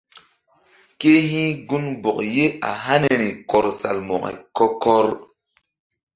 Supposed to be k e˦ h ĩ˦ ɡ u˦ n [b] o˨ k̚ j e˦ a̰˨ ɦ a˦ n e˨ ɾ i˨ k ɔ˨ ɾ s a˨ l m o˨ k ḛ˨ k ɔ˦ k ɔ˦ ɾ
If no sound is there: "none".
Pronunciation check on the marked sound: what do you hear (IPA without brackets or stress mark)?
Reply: b